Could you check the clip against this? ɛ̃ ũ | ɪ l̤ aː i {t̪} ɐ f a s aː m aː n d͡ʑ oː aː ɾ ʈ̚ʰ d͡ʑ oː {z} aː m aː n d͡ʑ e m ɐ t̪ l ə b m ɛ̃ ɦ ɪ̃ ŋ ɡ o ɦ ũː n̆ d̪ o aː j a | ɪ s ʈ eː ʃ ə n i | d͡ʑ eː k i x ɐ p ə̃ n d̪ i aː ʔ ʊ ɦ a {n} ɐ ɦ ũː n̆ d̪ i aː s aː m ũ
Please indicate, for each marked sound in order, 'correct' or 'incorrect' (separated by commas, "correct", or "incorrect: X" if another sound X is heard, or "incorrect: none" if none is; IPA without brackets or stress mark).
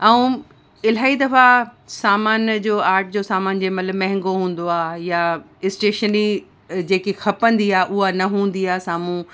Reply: incorrect: d̪, incorrect: s, correct